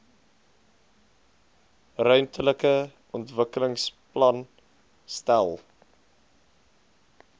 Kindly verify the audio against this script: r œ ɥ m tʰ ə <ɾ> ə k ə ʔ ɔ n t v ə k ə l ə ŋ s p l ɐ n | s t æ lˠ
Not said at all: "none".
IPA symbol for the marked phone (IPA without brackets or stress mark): l